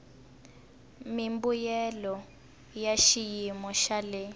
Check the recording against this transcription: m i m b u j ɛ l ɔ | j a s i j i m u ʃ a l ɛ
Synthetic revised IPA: m i m b u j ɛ l ɔ | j a ʃ i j i m ɔ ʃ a l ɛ